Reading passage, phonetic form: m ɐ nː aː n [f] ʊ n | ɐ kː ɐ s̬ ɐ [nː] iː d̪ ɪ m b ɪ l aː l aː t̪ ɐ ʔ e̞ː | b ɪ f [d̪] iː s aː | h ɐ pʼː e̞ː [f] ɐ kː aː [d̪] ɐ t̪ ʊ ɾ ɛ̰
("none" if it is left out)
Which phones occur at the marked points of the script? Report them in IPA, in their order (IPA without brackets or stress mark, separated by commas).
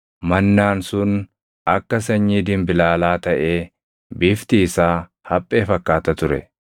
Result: s, ɲː, t̪, f, t̪